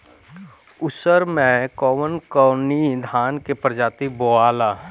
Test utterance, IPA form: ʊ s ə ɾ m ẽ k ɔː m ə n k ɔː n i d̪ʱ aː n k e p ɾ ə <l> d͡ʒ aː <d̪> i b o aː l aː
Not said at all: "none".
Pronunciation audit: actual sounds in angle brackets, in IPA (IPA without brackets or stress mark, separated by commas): none, t̪